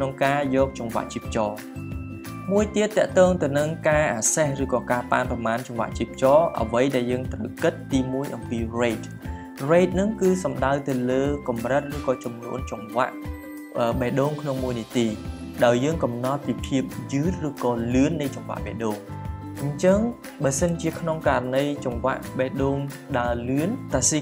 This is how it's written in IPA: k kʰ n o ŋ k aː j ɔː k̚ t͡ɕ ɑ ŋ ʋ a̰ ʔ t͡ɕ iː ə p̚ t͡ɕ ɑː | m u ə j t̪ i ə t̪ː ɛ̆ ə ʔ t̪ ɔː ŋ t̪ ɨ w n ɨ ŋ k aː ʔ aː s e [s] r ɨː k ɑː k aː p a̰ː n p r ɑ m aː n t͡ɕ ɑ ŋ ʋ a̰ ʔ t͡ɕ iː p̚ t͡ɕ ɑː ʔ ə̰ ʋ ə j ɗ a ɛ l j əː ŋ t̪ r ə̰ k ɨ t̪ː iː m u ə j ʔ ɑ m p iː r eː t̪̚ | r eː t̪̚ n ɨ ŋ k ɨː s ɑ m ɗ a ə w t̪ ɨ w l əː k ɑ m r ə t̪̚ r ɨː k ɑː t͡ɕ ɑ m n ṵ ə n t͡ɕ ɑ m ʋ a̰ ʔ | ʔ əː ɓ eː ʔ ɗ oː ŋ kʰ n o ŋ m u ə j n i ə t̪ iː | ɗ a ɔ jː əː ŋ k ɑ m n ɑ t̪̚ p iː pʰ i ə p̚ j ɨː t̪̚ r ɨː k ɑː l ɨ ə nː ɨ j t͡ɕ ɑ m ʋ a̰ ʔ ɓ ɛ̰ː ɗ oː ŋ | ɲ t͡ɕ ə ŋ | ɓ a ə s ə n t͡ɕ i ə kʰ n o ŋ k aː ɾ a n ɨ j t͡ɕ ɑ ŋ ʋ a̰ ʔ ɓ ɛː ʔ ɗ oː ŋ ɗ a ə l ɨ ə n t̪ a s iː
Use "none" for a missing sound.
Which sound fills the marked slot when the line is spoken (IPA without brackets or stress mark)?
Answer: h